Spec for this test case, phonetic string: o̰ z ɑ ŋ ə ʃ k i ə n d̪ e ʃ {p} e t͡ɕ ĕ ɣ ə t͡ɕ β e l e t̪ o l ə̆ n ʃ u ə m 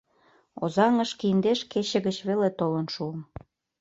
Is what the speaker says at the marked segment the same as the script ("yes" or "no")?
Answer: no